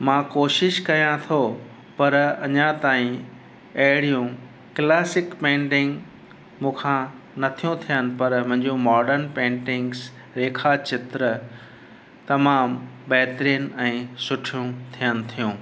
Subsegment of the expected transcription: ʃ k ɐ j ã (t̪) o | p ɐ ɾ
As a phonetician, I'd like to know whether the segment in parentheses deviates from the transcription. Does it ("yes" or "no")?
yes